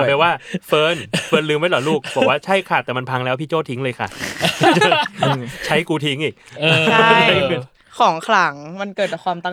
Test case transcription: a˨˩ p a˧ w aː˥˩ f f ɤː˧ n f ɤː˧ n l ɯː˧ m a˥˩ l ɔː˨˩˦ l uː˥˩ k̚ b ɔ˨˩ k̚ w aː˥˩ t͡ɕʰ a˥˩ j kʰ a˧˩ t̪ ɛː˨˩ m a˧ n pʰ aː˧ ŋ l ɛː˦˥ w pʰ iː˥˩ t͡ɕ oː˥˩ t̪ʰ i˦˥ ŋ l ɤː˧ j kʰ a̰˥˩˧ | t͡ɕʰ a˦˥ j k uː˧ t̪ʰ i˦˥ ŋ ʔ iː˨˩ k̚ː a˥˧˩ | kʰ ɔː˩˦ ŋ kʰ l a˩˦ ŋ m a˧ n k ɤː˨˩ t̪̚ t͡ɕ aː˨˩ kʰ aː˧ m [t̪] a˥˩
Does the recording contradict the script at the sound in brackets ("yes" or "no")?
no